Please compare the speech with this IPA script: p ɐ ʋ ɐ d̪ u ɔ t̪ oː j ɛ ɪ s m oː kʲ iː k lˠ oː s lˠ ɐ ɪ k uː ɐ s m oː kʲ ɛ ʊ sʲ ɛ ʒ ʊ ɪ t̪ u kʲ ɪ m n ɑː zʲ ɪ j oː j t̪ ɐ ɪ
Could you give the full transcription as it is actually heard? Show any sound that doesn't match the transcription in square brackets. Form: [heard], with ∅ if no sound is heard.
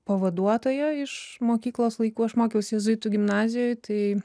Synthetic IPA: p ɐ ʋ ɐ d̪ u ɔ t̪ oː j ɛ ɪ [ʃ] m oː kʲ iː k lˠ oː s lˠ ɐ ɪ k uː ɐ [ʃ] m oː kʲ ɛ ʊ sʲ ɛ [z] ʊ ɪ t̪ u [ɡʲ] ɪ m n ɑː zʲ ɪ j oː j t̪ ɐ ɪ